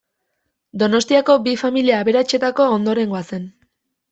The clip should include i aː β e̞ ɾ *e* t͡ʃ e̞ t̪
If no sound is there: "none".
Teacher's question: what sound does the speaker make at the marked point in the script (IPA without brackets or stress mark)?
a